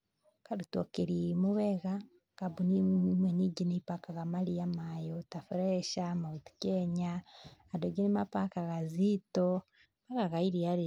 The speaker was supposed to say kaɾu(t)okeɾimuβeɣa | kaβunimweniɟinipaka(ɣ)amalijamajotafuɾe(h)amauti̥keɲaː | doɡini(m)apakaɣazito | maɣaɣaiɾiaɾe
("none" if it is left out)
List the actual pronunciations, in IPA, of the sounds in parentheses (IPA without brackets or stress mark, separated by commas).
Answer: t, ɣ, ʃ, m